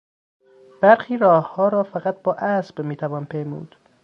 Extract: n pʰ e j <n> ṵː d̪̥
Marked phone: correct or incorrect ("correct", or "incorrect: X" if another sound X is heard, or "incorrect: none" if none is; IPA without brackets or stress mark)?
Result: incorrect: m